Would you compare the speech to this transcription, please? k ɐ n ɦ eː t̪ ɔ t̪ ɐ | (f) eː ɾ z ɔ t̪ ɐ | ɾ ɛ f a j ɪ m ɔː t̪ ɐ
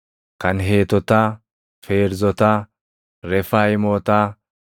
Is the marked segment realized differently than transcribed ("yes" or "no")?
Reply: no